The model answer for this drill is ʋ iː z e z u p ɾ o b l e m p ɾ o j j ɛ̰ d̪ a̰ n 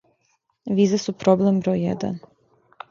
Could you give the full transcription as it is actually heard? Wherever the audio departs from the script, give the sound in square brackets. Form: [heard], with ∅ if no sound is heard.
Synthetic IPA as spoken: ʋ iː z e [s] u p ɾ o b l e m [b] ɾ o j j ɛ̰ d̪ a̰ n

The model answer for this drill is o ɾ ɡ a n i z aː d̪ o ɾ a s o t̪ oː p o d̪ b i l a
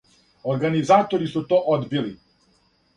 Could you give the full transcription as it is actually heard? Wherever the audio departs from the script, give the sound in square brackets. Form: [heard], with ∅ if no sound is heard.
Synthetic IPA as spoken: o ɾ ɡ a n i z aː [t̪] o ɾ [i] s [u] t̪ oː [ʔ] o d̪ b i l [i]

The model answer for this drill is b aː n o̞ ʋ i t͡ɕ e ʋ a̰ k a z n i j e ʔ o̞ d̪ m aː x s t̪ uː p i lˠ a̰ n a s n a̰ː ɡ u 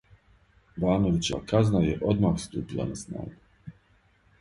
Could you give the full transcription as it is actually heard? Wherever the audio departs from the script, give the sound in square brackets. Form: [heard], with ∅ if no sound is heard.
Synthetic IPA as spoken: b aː n o̞ ʋ i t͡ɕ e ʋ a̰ k a z n [a] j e ʔ o̞ d̪ m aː x s t̪ uː p i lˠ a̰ n a s n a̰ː ɡ u

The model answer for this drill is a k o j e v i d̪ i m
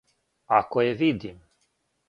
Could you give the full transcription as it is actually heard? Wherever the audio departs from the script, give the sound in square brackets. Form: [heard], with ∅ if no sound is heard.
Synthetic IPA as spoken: a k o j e v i d̪ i m

